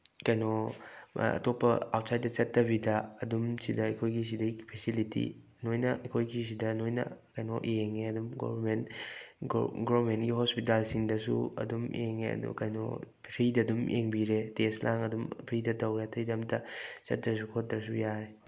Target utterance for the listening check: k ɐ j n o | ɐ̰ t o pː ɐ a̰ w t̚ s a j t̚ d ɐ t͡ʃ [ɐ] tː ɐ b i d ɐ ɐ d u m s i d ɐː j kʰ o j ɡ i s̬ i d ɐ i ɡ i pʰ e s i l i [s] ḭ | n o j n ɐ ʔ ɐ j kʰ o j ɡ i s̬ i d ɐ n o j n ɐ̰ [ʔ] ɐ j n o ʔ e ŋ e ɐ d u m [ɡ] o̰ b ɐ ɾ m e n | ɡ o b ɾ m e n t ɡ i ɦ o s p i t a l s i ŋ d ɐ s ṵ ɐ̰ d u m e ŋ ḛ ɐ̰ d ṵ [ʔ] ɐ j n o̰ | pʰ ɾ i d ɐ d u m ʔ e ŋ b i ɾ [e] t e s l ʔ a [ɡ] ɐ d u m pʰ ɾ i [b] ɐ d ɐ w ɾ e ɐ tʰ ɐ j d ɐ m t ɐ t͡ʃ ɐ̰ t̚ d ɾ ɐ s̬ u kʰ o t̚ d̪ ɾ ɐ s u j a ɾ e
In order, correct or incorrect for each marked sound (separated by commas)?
correct, incorrect, incorrect, correct, incorrect, correct, incorrect, incorrect